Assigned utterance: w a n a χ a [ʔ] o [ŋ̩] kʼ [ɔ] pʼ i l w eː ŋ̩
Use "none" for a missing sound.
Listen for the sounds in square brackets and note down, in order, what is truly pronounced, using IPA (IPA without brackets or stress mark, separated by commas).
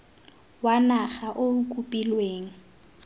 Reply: ʔ, ŋ̩, u